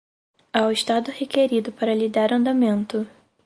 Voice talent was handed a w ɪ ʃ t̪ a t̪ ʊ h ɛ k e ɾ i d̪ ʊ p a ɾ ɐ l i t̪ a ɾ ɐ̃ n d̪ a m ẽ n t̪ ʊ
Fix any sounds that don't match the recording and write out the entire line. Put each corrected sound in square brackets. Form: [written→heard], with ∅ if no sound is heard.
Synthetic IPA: a w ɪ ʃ t̪ a [t̪→d̪] ʊ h [ɛ→e] k e ɾ i d̪ ʊ p a ɾ ɐ l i [t̪→d̪] a ɾ ɐ̃ n d̪ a m ẽ n t̪ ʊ

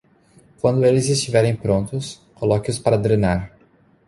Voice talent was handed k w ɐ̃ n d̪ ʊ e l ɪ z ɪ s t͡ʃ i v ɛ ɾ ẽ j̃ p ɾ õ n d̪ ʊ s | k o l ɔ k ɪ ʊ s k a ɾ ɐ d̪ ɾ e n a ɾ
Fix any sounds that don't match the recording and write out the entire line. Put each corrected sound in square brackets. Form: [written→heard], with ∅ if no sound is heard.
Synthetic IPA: k w ɐ̃ n d̪ ʊ e l ɪ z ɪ s t͡ʃ i v ɛ ɾ ẽ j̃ p ɾ õ n [d̪→t̪] ʊ s | k o l ɔ k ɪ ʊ s [k→p] a ɾ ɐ d̪ ɾ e n a ɾ

